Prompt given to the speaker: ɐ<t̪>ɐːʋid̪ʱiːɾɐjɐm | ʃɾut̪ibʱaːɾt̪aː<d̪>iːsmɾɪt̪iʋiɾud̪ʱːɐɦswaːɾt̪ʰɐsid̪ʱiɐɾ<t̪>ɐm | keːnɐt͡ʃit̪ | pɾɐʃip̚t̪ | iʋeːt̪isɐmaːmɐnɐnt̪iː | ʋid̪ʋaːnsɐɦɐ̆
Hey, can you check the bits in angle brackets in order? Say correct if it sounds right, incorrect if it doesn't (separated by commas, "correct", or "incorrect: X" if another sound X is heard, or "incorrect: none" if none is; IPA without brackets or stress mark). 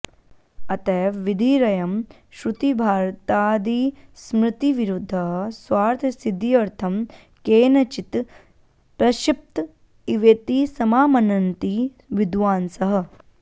correct, correct, incorrect: t̪ʰ